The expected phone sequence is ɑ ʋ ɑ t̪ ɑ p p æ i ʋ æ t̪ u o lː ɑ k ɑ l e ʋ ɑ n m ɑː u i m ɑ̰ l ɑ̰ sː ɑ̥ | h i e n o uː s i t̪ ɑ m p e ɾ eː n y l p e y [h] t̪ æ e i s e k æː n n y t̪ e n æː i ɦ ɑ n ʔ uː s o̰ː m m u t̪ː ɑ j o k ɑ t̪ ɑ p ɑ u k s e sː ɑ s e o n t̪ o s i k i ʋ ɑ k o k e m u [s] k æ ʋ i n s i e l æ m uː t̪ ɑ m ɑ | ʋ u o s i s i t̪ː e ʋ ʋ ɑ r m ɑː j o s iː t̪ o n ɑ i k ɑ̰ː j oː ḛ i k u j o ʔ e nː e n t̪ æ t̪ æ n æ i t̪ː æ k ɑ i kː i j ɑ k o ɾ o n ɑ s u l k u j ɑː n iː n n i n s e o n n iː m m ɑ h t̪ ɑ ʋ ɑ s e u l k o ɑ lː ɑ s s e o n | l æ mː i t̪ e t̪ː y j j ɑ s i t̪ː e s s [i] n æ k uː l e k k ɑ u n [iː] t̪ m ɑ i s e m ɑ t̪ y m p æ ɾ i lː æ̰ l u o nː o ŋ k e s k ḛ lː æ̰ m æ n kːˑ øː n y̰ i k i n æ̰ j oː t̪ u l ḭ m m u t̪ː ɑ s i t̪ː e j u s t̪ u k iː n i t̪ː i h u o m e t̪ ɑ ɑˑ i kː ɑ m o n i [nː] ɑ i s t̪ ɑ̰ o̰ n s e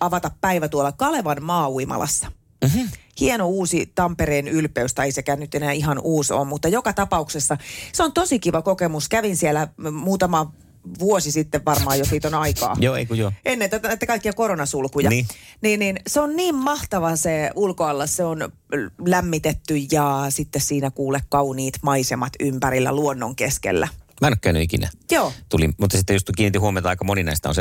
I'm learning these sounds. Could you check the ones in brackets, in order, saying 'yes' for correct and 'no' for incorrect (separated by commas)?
no, yes, no, yes, no